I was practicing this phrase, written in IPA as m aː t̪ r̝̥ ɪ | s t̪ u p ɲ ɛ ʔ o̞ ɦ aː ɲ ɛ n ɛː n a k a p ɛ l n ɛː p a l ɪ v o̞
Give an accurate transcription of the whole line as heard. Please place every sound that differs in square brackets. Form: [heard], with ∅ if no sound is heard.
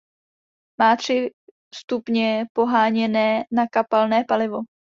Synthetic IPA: m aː t̪ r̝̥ ɪ | s t̪ u p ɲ ɛ [p] o̞ ɦ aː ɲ ɛ n ɛː n a k a p [a] l n ɛː p a l ɪ v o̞